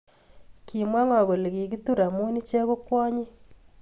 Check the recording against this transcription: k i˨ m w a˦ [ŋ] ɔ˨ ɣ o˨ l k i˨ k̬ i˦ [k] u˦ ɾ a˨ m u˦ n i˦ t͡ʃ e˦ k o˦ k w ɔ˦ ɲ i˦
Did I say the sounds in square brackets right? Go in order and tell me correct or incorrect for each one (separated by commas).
correct, incorrect